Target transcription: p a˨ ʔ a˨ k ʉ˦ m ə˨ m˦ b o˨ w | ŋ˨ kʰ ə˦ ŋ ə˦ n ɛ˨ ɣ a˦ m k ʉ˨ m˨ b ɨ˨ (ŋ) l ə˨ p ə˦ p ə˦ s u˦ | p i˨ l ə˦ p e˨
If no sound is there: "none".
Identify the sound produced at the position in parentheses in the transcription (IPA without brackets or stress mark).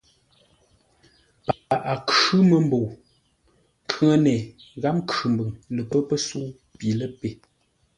ŋ